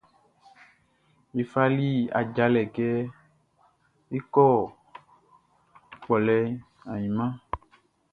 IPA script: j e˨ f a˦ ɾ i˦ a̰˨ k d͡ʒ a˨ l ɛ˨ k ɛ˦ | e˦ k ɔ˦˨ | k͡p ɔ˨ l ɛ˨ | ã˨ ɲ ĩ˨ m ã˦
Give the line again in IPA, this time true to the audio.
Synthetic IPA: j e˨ f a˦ l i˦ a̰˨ d͡ʒ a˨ l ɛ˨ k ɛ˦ | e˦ k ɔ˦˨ | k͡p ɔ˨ l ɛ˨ | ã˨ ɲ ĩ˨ m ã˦